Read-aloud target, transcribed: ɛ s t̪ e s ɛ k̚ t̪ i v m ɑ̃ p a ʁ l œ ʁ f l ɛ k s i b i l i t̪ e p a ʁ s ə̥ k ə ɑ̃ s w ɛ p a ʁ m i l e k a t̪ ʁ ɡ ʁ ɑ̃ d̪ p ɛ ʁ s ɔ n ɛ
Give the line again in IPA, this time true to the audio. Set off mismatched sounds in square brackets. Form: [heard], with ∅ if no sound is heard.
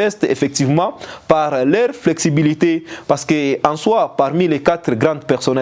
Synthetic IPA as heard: ɛ s t̪ e [f] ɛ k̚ t̪ i v m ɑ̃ p a ʁ l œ ʁ f l ɛ k s i b i l i t̪ e p a ʁ s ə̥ k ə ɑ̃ s w [a] p a ʁ m i l e k a t̪ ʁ ɡ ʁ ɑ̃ d̪ p ɛ ʁ s ɔ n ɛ

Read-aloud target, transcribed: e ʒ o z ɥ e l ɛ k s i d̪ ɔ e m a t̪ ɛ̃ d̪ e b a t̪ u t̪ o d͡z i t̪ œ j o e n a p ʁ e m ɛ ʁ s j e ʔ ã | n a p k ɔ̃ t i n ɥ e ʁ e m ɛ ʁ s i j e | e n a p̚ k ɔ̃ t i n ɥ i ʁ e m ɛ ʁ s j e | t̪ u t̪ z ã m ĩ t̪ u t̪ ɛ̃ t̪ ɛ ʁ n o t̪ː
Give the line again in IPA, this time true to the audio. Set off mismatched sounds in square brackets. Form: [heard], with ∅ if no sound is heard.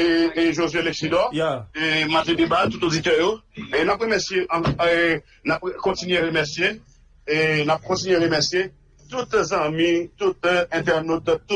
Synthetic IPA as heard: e ʒ o z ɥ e l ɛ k s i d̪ ɔ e m a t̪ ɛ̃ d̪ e b a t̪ u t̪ o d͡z i t̪ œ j o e n a p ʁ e m ɛ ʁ s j e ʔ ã | n a p k ɔ̃ t i n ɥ e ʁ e m ɛ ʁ s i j e | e n a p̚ k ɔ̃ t i n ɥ [e] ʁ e m ɛ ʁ s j e | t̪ u t̪ z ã m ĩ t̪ u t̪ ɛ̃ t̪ ɛ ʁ n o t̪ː

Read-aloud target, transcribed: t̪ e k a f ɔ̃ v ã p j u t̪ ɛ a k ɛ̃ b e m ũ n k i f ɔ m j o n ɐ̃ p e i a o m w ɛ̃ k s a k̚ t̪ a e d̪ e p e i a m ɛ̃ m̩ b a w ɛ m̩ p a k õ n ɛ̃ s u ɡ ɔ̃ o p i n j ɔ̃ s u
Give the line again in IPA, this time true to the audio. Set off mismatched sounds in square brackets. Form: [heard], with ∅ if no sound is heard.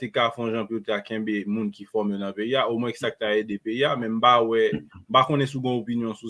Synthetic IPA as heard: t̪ e k a f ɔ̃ [ʒ] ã p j [o] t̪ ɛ a k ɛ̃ b e m ũ n k i f ɔ m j o n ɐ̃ p e i a o m w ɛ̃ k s a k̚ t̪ a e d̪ e p e i a m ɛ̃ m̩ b a w ɛ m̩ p a k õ n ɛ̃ s u ɡ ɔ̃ o p i n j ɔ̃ s u

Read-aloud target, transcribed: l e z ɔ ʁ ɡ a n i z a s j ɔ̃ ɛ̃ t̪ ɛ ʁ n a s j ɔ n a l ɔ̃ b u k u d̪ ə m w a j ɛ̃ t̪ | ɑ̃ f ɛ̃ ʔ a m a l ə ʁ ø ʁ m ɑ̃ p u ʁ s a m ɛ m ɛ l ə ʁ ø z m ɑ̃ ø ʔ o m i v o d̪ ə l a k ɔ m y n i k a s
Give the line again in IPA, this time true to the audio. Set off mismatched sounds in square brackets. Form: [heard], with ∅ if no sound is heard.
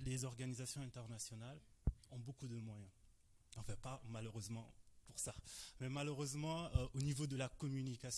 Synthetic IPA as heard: l e z ɔ ʁ ɡ a n i z a s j ɔ̃ ɛ̃ t̪ ɛ ʁ n a s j ɔ n a l ɔ̃ b [o] k u d̪ ə m w a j ɛ̃ [∅] | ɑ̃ f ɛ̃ [p] a m a l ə ʁ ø [z] m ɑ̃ p u ʁ s a m ɛ m [a] l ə ʁ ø z m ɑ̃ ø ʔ o [n] i v o d̪ ə l a k ɔ m y n i k a s

